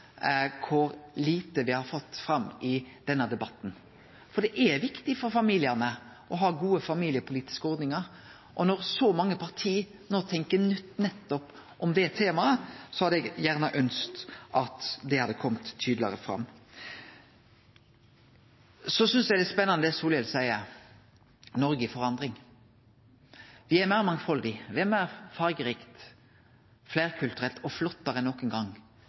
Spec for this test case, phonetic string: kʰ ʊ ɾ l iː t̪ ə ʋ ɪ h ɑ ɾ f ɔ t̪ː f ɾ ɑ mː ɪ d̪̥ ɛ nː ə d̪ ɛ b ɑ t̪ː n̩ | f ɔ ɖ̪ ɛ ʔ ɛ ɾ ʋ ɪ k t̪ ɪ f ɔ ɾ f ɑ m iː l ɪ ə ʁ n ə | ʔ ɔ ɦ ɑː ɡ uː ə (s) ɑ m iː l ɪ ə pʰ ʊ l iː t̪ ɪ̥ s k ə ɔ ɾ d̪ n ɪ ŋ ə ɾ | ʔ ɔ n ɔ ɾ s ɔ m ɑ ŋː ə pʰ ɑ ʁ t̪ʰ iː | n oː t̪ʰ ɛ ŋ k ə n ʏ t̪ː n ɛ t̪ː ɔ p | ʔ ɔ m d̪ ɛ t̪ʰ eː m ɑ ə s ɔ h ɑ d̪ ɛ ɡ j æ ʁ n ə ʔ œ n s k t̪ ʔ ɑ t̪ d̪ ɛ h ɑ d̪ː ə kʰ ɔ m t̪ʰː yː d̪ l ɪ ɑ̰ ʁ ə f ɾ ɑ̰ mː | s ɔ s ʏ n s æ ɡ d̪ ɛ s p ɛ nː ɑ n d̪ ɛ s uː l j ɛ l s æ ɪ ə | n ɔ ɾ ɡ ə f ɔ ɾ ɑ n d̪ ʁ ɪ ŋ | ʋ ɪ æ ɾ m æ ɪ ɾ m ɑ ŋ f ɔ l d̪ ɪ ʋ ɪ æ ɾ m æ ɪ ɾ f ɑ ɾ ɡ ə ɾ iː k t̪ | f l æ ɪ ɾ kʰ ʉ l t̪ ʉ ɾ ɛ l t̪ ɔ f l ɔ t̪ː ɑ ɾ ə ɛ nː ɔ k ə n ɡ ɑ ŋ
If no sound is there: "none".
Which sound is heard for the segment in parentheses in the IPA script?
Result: f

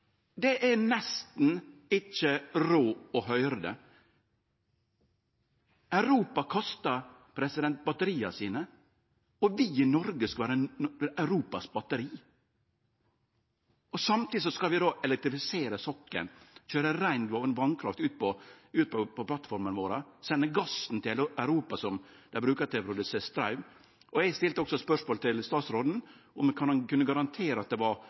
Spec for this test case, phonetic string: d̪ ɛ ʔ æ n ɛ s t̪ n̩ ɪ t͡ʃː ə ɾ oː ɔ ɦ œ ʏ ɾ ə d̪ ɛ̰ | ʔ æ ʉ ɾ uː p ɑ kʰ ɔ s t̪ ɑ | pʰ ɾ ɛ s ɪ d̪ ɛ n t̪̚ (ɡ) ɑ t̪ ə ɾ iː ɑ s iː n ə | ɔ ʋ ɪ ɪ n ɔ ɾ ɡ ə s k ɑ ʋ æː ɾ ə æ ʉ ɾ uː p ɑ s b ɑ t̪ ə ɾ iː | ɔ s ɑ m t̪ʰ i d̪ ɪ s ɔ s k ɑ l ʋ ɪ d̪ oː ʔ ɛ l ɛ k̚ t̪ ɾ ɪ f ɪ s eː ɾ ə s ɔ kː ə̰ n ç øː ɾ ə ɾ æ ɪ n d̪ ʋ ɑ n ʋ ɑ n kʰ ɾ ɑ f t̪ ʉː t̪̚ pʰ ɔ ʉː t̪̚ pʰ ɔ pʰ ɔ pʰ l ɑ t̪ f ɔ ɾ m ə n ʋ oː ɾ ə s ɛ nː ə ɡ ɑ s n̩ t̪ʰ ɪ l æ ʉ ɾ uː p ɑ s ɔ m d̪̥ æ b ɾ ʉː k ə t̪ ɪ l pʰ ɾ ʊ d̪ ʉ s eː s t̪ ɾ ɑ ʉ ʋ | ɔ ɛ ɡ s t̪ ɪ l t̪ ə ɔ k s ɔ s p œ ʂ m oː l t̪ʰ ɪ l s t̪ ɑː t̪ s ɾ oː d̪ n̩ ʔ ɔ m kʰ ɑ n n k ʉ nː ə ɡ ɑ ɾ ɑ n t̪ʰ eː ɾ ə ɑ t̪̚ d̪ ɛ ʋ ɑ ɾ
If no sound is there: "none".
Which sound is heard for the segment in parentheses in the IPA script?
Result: b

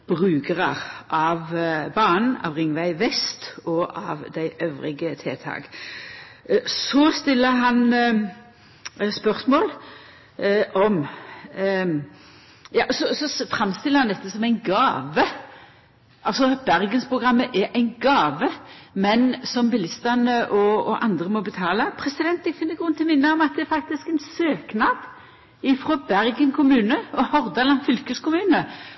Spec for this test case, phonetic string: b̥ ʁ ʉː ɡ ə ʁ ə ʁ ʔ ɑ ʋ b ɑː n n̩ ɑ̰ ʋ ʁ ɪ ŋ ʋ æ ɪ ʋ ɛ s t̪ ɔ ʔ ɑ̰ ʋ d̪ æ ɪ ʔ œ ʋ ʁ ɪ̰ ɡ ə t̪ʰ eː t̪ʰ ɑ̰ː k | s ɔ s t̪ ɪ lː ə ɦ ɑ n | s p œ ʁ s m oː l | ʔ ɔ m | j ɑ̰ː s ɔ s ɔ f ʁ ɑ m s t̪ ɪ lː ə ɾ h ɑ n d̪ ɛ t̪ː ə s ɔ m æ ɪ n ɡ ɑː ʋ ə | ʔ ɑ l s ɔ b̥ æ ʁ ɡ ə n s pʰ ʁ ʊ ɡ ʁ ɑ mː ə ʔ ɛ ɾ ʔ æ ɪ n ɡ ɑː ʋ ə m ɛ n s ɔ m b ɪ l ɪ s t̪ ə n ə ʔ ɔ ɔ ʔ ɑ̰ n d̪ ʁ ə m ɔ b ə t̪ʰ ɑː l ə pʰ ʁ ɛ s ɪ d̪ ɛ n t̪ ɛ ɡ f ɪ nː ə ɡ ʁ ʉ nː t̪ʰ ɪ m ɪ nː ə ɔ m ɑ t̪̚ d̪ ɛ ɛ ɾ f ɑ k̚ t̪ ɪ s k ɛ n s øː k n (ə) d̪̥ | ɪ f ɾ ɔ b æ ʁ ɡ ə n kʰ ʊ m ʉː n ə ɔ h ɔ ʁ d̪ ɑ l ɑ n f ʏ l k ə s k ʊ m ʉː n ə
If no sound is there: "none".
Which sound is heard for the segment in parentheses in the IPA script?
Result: ɑ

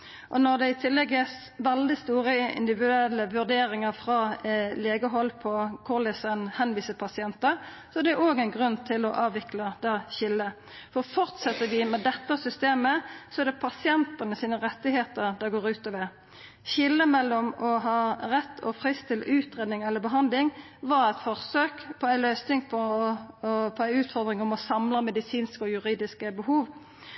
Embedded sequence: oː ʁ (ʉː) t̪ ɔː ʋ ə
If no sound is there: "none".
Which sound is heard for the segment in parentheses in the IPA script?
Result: ʉː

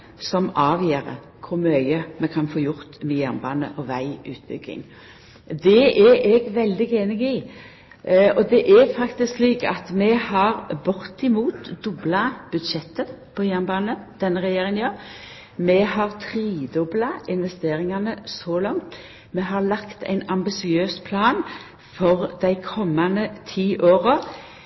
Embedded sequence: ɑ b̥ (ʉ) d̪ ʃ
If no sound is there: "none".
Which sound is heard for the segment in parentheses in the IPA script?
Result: ʉ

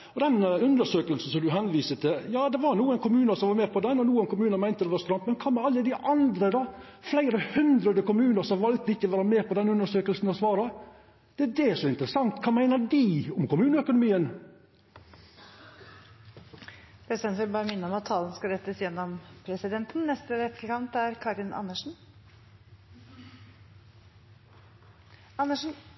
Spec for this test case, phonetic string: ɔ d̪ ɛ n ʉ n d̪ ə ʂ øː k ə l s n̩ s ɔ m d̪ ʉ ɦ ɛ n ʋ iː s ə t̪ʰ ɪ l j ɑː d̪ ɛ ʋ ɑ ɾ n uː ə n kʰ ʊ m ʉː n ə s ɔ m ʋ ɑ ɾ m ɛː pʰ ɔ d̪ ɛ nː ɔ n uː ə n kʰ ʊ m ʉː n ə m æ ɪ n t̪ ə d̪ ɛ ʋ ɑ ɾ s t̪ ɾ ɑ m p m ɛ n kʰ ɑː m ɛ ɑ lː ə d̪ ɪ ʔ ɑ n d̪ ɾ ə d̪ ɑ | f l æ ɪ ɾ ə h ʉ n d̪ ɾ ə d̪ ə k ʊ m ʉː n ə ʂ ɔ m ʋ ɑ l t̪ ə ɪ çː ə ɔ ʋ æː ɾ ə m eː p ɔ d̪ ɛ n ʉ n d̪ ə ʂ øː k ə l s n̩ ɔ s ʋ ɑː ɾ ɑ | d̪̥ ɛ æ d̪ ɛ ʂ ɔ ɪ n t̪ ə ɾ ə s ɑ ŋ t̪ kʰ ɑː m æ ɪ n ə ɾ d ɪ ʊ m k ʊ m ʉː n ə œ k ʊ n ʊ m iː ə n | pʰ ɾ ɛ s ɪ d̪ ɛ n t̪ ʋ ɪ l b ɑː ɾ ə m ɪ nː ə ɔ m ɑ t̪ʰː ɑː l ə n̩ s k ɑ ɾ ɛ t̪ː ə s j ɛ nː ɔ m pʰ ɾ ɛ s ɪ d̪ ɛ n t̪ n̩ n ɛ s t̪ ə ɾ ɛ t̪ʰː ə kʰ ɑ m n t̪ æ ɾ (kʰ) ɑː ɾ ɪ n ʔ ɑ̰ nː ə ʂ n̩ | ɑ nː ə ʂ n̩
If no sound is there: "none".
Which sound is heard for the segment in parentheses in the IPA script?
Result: kʰ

